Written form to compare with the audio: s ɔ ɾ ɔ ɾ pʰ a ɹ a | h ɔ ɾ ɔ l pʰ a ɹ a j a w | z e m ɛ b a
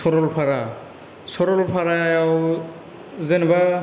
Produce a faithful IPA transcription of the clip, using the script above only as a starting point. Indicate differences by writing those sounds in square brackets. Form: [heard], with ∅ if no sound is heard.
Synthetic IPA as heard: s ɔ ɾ ɔ [l] pʰ a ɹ a | [s] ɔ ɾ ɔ l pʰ a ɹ a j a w | z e [n] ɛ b a